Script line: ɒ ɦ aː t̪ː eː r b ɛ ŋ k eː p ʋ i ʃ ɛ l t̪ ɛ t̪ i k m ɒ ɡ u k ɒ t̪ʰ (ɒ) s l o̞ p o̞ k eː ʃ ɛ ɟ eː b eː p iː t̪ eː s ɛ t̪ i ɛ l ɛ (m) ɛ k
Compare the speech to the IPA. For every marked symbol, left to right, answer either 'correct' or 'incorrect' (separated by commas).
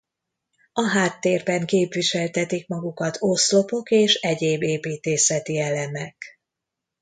incorrect, correct